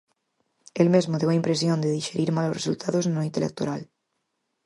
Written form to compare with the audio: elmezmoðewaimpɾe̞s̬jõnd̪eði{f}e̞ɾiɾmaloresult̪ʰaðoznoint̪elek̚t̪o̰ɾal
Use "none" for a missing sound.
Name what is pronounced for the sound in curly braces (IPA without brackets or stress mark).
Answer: ʃ